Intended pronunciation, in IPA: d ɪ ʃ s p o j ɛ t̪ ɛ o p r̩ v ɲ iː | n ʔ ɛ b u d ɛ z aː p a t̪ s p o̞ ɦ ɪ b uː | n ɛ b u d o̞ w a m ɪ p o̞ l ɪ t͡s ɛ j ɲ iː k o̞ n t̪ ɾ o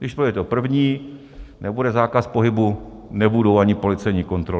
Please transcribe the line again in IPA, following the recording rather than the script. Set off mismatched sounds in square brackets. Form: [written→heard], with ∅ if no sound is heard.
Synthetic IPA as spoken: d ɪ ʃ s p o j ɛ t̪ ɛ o p r̩ v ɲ iː | n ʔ ɛ b u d ɛ z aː [p→k] a [t̪→∅] s p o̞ ɦ ɪ b [uː→u] | n ɛ b u d o̞ w a [m→ɲ] ɪ p o̞ l ɪ t͡s ɛ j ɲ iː k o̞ n t̪ ɾ o

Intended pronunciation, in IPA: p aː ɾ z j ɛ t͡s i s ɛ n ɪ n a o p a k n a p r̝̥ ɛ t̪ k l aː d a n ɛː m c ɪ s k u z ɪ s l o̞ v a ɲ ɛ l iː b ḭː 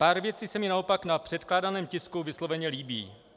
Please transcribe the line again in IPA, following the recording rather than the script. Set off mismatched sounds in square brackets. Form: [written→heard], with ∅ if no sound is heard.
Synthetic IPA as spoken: p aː ɾ [z→v] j ɛ t͡s i s ɛ [n→m] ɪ n a o p a k n a p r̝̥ ɛ t̪ k l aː d a n ɛː m c ɪ s k u [z→v] ɪ s l o̞ v [a→ɛ] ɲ ɛ l iː b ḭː

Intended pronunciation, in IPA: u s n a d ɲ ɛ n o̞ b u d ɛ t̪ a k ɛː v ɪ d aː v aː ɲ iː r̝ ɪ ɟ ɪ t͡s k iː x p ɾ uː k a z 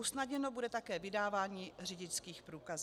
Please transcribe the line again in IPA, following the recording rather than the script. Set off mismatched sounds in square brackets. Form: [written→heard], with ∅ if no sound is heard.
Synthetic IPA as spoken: u s n a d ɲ ɛ n o̞ b u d ɛ t̪ a k ɛː v ɪ d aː v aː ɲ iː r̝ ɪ ɟ ɪ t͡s k iː x p ɾ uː k a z

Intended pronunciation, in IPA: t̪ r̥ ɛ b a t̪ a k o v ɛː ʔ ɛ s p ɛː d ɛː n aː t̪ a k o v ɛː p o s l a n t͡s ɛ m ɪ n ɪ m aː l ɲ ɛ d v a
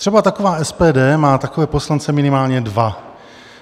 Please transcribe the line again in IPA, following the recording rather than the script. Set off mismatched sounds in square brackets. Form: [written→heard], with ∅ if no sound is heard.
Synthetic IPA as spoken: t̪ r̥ ɛ b a t̪ a k o v [ɛː→aː] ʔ ɛ s p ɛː d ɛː [n→m] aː t̪ a k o v ɛː p o s l a n t͡s ɛ m ɪ n ɪ m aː l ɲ ɛ d v a

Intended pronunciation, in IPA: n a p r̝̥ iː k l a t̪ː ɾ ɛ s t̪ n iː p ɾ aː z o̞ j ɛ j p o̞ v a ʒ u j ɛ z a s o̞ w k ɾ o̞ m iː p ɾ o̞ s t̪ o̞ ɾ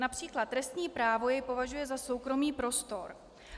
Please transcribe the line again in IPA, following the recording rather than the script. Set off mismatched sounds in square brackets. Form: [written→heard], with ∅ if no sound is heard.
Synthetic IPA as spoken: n a p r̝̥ iː k l a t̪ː ɾ ɛ s t̪ [n→ɲ] iː p ɾ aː [z→v] o̞ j ɛ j p o̞ v a ʒ u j ɛ z a s o̞ w k ɾ o̞ m iː p ɾ o̞ s t̪ o̞ ɾ

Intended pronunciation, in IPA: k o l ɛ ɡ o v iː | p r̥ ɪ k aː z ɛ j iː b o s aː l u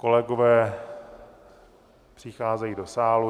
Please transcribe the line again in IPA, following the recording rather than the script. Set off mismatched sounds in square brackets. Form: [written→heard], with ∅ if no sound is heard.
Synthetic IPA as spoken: k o l ɛ ɡ o v [iː→ɛː] | p r̥ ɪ [k→x] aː z ɛ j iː [b→d] o s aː l u

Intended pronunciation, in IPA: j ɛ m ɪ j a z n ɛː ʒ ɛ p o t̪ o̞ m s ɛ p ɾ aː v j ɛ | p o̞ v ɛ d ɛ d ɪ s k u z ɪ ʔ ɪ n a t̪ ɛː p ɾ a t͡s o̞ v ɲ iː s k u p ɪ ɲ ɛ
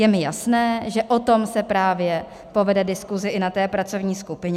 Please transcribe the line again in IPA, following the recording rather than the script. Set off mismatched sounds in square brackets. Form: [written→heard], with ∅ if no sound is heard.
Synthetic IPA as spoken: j ɛ m ɪ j a [z→s] n ɛː ʒ ɛ [p→ʔ] o t̪ o̞ m s ɛ p ɾ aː v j ɛ | p o̞ v ɛ d ɛ d ɪ s k u z ɪ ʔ ɪ n a t̪ ɛː p ɾ a t͡s o̞ v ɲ iː s k u p ɪ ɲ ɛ

